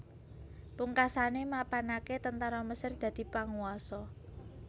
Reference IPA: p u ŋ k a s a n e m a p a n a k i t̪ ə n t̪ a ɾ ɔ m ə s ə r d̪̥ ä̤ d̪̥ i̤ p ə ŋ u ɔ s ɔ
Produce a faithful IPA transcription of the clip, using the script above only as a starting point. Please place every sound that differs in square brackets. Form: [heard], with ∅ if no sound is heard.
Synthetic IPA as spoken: p u ŋ k a s a n e m a p a n a k [e] t̪ ə n t̪ a ɾ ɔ m ə s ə r d̪̥ ä̤ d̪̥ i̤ p [a] ŋ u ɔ s ɔ